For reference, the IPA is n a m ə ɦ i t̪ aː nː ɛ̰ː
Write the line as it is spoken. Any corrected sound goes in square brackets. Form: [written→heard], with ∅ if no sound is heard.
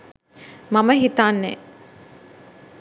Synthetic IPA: [n→m] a m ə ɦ i t̪ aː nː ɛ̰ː